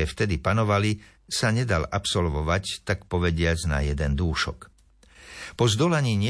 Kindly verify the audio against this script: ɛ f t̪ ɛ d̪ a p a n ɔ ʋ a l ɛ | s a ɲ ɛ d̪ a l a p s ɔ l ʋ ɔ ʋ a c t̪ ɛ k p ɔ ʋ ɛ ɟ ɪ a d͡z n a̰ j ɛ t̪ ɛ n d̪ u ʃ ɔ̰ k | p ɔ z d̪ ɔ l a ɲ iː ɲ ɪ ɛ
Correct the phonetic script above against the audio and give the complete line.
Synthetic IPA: ɛ f t̪ ɛ d̪ i p a n ɔ ʋ a l i | s a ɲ ɛ d̪ a l a p s ɔ l ʋ ɔ ʋ a c t̪ a k p ɔ ʋ ɛ ɟ ɪ a d͡z n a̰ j ɛ d̪ ɛ n d̪ uː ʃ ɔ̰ k | p ɔ z d̪ ɔ l a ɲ iː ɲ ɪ ɛ